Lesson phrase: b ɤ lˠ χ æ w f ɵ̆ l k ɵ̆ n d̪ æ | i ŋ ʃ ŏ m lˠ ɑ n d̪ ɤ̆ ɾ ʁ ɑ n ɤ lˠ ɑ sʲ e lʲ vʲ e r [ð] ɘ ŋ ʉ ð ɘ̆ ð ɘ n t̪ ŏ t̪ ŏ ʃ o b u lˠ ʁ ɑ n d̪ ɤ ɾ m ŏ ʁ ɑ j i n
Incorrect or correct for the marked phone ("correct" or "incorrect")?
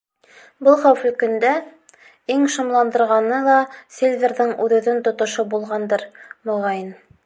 correct